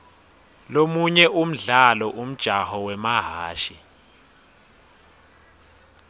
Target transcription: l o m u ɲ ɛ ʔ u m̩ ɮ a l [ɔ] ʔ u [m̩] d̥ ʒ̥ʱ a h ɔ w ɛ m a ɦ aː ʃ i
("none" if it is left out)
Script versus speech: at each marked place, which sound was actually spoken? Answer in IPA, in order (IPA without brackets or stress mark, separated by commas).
ɔ, m̩